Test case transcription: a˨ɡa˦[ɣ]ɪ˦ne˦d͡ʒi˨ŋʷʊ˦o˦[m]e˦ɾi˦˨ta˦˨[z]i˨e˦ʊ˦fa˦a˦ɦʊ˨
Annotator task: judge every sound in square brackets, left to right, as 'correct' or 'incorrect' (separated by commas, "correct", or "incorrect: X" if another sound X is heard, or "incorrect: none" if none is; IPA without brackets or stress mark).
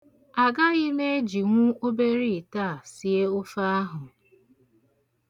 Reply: correct, incorrect: b, incorrect: s